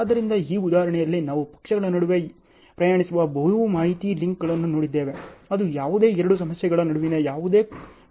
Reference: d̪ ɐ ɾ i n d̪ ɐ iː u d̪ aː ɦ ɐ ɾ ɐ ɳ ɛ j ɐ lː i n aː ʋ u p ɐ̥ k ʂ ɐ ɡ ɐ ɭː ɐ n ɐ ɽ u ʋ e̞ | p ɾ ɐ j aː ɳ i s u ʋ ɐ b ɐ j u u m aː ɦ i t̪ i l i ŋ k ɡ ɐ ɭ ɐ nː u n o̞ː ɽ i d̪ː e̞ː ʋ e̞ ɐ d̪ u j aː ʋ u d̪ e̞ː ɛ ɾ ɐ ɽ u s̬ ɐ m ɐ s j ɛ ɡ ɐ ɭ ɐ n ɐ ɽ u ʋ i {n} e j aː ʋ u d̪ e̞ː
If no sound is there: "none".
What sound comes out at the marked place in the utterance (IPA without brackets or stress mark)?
n